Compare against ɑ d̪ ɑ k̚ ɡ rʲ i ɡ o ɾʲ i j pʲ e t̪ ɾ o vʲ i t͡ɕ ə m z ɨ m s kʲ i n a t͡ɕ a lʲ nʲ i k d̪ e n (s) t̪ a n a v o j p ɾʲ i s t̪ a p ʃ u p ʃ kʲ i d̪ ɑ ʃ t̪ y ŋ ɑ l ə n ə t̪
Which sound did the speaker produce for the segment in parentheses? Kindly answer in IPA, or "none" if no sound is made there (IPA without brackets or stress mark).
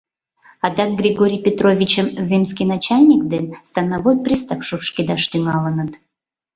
s